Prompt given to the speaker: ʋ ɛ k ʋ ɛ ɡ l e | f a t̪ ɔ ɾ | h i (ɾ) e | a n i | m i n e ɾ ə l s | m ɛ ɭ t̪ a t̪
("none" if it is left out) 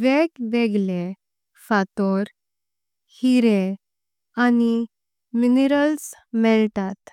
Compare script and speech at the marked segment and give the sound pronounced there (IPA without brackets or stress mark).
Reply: ɾ